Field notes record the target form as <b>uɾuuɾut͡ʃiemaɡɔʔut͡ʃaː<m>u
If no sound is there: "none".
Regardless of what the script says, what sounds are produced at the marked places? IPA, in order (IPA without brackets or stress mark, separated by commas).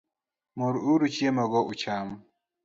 m, m